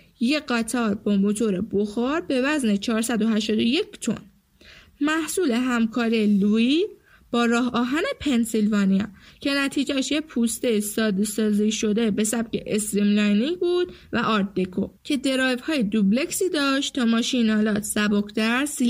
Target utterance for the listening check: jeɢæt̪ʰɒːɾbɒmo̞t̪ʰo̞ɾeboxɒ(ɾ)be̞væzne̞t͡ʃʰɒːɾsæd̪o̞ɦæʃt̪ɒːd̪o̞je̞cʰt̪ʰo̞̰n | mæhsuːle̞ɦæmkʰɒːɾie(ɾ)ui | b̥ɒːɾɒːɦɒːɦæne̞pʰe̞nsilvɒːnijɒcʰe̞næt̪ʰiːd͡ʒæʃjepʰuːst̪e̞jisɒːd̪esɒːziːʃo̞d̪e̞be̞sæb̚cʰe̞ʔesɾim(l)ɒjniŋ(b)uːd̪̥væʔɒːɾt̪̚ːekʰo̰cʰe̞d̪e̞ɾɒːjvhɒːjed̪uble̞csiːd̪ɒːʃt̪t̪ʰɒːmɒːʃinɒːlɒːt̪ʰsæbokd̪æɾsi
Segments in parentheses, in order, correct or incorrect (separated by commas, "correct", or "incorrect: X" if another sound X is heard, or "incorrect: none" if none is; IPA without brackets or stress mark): correct, incorrect: l, correct, correct